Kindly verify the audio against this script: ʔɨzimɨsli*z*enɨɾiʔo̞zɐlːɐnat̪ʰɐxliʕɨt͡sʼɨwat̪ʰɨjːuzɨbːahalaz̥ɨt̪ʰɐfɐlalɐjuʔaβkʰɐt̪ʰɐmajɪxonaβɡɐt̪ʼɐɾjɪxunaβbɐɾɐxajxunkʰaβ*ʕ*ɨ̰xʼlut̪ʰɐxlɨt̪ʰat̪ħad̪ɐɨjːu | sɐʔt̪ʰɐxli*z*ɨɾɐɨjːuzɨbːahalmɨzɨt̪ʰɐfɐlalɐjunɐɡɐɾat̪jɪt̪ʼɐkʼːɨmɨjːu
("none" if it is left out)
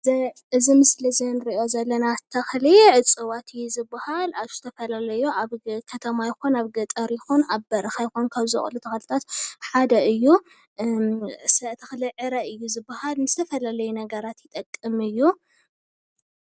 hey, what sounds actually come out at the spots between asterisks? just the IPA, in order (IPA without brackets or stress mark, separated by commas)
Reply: z, z, ʕ